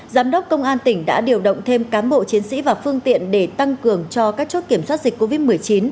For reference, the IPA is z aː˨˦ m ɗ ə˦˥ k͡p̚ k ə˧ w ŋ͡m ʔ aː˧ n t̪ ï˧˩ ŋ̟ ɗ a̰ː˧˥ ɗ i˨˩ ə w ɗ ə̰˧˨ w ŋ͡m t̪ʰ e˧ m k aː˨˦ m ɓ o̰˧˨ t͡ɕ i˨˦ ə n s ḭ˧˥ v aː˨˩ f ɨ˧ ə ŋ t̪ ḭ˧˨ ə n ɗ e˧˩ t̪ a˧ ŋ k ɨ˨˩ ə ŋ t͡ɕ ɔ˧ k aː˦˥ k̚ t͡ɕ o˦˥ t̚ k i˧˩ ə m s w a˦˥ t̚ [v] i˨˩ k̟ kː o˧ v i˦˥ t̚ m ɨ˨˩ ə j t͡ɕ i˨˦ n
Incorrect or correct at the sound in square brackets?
incorrect: z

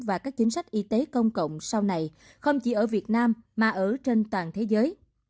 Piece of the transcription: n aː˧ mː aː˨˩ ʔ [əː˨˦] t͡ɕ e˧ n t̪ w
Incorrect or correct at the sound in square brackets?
incorrect: əː˧˩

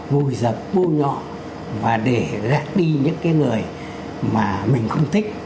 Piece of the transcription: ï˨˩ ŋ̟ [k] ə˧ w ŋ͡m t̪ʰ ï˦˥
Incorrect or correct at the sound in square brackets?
incorrect: x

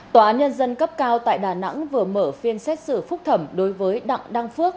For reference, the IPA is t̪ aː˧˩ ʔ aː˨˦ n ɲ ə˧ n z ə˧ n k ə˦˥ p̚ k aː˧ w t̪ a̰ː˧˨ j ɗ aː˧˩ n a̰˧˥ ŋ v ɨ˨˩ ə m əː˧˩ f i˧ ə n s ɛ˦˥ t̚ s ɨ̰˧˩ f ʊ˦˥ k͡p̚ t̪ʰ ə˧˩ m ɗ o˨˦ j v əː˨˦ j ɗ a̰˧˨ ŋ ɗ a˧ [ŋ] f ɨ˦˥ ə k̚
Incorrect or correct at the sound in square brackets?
correct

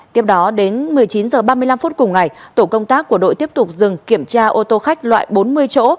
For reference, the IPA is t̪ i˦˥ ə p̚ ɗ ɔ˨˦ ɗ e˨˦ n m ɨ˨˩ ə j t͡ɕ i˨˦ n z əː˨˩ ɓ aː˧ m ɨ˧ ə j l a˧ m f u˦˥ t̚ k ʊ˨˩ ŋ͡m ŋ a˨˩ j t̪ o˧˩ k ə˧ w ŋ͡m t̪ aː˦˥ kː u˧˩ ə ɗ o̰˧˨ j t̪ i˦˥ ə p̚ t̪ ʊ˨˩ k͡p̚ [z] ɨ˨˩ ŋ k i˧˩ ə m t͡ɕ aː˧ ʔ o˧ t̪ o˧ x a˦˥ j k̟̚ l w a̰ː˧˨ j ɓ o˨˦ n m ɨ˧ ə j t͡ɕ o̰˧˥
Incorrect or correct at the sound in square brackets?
correct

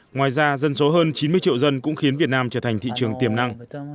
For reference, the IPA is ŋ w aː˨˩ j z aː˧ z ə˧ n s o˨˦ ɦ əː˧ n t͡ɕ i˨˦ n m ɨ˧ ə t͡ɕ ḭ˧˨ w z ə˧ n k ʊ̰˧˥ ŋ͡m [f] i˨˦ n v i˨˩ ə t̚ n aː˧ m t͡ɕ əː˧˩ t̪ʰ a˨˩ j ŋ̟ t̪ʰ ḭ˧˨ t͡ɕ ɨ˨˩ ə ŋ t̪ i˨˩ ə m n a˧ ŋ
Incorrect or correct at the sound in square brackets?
incorrect: x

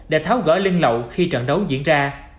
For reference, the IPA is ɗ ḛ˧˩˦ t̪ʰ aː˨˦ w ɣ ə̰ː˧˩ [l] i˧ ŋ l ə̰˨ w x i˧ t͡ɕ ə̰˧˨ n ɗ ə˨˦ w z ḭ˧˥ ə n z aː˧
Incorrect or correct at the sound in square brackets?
correct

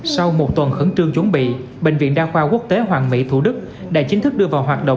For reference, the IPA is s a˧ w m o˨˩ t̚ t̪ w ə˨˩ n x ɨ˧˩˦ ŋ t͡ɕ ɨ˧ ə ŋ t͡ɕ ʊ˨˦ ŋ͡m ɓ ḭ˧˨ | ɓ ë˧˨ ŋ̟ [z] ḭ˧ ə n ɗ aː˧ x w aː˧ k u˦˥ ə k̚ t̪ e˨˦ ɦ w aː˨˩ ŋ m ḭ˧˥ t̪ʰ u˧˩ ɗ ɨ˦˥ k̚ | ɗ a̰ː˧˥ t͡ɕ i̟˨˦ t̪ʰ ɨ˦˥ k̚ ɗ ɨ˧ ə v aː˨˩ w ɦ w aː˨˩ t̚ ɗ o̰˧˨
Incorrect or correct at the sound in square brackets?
incorrect: v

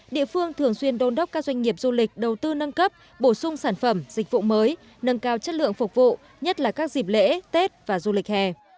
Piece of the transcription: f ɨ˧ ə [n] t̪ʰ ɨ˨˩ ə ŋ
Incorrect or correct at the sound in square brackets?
incorrect: ŋ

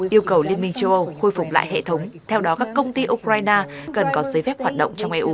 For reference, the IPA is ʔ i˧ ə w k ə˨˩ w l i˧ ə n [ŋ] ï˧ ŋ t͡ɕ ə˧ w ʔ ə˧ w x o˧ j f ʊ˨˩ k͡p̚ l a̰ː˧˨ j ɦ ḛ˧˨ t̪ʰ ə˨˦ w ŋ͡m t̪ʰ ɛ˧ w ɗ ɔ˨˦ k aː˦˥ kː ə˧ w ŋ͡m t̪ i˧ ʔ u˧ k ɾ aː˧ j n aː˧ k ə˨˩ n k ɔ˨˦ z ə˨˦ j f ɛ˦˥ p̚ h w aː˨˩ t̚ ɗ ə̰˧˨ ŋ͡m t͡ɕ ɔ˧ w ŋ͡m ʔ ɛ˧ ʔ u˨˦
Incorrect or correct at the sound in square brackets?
incorrect: m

